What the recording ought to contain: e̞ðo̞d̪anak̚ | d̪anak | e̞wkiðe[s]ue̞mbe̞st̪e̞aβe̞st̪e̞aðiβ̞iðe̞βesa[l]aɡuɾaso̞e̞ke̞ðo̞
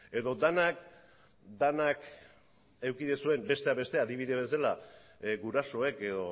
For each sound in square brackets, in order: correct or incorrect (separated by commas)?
correct, correct